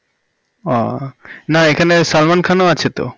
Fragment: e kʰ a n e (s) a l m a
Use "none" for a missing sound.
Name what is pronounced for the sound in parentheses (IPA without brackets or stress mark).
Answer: s